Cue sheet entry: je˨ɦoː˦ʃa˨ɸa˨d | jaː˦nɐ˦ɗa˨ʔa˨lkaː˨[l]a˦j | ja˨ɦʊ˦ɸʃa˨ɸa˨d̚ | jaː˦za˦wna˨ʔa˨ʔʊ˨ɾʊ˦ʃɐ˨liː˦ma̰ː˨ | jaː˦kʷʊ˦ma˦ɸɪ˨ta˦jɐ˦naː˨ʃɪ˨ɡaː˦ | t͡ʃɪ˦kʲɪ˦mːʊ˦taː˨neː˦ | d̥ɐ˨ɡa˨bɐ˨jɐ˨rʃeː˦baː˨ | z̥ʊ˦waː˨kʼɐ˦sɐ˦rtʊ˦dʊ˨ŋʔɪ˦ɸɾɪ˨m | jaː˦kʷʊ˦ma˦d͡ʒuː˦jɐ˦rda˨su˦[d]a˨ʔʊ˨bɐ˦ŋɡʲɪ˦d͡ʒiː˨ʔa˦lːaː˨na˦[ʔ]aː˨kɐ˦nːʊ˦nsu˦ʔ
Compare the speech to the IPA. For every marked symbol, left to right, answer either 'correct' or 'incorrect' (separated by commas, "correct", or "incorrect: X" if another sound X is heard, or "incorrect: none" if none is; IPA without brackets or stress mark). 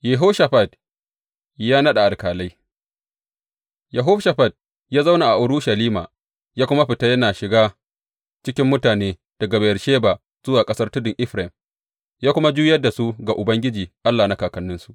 correct, incorrect: ɡ, incorrect: k